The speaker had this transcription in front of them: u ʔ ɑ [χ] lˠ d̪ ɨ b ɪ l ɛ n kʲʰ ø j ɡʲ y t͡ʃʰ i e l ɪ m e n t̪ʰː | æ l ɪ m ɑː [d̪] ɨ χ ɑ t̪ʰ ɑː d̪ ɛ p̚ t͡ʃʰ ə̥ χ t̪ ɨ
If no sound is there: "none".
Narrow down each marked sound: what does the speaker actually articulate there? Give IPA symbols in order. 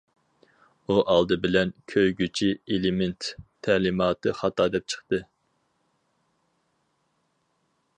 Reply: none, t̪

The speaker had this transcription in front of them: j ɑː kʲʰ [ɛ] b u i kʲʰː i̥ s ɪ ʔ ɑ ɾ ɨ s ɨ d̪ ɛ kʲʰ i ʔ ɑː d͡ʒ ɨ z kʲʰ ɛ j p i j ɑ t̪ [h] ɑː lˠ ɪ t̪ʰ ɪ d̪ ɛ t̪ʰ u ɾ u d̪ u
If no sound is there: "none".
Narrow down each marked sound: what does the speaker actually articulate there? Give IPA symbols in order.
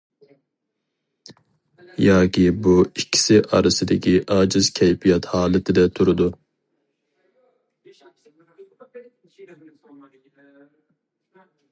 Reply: i, h

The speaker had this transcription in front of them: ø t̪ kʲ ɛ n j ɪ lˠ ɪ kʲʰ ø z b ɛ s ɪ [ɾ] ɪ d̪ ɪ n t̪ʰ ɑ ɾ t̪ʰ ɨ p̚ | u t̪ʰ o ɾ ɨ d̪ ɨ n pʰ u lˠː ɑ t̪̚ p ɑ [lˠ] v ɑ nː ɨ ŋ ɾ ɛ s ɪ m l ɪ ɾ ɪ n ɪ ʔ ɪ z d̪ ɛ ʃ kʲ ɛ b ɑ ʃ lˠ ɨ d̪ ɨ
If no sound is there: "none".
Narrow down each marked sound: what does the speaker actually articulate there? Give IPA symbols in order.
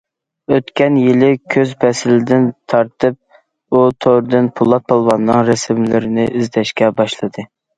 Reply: l, lˠ

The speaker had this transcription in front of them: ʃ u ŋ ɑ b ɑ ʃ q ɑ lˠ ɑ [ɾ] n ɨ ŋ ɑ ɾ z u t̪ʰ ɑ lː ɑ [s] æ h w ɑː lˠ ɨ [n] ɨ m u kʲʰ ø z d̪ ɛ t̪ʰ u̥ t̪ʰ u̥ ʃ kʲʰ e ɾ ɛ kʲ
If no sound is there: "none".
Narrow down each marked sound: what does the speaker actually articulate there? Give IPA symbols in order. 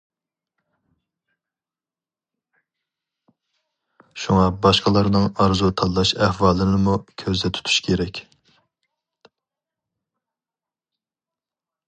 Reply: ɾ, ʃ, n

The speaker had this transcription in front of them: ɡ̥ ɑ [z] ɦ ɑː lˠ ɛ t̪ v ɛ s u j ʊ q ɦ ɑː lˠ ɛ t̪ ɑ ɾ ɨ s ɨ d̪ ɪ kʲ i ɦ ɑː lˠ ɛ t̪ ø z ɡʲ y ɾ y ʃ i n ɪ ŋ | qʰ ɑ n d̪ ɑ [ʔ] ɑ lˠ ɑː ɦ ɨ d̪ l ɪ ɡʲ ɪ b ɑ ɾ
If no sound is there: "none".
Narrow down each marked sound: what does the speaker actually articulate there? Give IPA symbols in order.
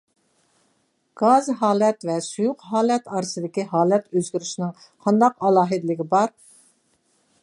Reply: z, q

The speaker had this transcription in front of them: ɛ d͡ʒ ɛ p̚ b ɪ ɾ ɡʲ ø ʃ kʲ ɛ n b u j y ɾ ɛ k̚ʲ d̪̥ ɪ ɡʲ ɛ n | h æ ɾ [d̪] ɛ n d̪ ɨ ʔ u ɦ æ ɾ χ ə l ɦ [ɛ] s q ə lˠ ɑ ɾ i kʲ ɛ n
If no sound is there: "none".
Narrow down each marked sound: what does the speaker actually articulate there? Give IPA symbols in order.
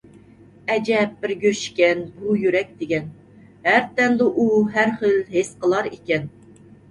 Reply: t̪, e

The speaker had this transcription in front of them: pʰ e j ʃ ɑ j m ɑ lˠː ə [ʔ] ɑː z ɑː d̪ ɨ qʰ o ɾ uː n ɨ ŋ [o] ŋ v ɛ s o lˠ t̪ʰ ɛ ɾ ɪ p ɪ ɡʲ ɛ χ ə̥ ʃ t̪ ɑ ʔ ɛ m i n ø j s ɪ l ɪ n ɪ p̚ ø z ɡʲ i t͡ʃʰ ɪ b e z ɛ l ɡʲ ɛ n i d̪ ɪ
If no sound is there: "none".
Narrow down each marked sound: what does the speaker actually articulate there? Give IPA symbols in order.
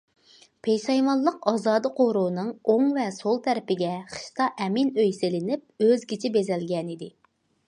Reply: q, o

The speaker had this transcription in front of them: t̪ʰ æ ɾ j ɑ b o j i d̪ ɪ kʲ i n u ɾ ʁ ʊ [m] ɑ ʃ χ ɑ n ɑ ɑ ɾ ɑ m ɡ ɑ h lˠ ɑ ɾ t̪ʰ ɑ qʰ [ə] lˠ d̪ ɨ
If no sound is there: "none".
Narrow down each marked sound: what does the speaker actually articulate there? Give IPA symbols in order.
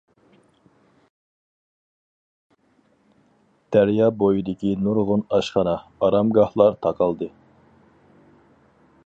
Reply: n, ɑ

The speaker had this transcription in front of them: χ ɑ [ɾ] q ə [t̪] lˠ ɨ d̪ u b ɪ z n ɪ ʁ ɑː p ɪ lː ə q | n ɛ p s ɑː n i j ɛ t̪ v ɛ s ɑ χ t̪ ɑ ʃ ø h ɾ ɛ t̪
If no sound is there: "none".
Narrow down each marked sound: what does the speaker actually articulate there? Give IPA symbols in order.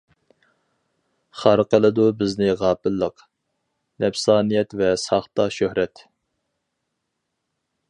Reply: ɾ, none

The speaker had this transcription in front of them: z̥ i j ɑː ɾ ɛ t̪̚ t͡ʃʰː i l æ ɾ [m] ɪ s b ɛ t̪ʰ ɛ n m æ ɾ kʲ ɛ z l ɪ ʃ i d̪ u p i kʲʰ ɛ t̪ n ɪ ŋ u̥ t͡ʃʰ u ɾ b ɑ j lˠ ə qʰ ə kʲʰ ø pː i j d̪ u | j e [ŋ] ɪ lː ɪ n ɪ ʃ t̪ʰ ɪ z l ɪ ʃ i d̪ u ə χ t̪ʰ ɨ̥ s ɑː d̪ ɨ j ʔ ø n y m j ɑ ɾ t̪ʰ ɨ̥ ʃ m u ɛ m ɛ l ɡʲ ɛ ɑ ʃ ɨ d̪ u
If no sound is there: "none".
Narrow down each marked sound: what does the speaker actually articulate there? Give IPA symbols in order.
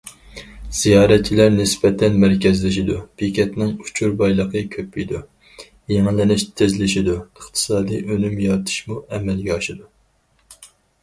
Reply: n, ŋ

